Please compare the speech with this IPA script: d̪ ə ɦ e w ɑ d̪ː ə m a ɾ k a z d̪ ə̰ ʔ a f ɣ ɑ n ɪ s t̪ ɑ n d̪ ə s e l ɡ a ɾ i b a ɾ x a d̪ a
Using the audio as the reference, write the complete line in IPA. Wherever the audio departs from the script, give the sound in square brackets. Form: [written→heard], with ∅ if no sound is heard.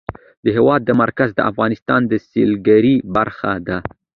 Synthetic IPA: d̪ ə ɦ e w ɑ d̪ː ə m a ɾ k a z d̪ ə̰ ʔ a f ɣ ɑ n ɪ s t̪ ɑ n d̪ ə s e l ɡ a ɾ i b a ɾ x a d̪ a